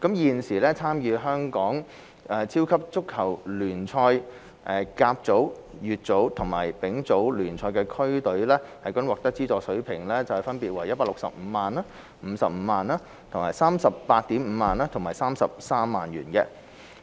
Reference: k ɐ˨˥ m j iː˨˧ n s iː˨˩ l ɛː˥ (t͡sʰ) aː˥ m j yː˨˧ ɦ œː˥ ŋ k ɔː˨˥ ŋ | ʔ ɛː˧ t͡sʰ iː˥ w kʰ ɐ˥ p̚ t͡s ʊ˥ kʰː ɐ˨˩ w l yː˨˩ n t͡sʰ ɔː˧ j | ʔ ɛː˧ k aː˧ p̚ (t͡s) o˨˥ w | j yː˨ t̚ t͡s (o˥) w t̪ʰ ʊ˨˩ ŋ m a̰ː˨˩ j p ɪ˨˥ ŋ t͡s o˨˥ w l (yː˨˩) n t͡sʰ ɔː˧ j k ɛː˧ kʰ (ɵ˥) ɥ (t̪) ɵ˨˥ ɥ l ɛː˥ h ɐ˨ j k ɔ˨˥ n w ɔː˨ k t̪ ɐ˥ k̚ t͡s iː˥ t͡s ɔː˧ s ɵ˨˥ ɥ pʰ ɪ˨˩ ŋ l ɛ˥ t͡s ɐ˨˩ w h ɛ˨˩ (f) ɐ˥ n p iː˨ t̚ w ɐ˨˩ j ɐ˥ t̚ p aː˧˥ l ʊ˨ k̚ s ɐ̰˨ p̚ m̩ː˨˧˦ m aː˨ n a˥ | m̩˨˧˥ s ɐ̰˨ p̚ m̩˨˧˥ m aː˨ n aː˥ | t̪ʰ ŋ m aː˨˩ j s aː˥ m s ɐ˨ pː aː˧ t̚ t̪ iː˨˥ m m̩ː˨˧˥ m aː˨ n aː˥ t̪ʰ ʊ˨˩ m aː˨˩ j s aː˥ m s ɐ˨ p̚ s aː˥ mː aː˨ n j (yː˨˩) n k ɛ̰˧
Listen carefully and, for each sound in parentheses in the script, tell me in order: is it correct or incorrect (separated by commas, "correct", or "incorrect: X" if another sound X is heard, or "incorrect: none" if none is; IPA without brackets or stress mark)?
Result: correct, correct, incorrect: o˨˥, correct, correct, correct, correct, correct